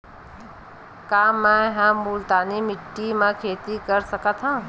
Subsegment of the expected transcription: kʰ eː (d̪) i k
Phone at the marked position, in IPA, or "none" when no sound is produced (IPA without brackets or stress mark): t̪